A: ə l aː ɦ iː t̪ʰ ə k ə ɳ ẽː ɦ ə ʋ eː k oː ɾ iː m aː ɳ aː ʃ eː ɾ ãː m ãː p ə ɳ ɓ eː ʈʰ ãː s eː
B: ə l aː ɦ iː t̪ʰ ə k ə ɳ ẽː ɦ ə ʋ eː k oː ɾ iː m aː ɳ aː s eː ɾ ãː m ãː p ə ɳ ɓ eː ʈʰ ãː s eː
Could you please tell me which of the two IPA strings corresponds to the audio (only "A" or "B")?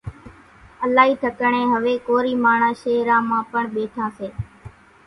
A